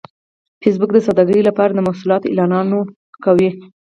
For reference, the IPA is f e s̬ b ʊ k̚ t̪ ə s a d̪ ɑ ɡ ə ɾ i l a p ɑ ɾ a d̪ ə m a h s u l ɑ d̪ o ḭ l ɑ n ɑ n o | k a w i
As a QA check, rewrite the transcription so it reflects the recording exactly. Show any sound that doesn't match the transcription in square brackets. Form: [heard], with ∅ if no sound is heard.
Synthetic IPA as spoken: f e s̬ b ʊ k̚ [d̪] ə s a d̪ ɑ ɡ ə ɾ i l a p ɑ ɾ a d̪ ə m a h s u l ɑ [t̪] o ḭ l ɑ n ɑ n o | k a w i